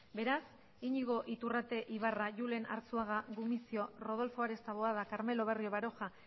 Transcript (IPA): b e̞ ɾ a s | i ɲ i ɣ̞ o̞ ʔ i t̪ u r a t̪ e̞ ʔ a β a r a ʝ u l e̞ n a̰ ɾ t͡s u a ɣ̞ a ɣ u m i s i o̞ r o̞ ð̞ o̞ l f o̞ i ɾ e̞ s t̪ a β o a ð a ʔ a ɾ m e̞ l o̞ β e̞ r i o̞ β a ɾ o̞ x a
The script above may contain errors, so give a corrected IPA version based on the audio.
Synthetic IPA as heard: b e̞ ɾ a s | i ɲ i ɣ̞ o̞ ʔ i t̪ u r a t̪ e̞ ʔ i β a r a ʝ u l e̞ n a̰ ɾ t͡s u a ɣ̞ a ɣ u m i s i o̞ r o̞ ð̞ o̞ l f o̞ a ɾ e̞ s t̪ a β o a ð a k a ɾ m e̞ l o̞ β e̞ r i o̞ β a ɾ o̞ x a